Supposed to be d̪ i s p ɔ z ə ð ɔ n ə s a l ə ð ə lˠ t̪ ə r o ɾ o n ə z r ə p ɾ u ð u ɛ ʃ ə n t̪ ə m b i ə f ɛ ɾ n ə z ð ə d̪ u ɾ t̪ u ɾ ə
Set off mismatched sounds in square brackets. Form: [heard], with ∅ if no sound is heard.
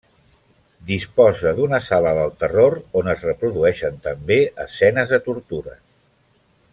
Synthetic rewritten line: d̪ i s p ɔ z ə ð [u] n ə s a l ə ð ə lˠ t̪ ə r o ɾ o n ə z r ə p ɾ u ð u ɛ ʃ ə n t̪ ə m b [e] ə [s] ɛ [∅] n ə z ð ə [t̪] u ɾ t̪ u ɾ ə